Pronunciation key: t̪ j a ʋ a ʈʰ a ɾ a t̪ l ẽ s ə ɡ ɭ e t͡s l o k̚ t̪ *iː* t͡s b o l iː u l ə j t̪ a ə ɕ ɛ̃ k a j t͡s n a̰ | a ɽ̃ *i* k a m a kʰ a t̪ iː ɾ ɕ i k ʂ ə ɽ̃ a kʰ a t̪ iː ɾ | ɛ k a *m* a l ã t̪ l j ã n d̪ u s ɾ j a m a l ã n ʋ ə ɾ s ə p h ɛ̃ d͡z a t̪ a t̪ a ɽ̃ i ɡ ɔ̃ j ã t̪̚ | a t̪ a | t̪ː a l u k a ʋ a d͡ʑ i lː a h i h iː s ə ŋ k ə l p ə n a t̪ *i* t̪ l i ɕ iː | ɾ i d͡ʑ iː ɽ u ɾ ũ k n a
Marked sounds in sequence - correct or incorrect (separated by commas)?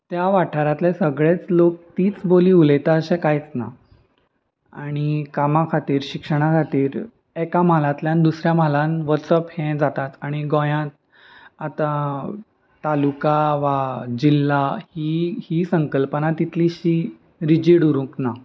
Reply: correct, correct, correct, correct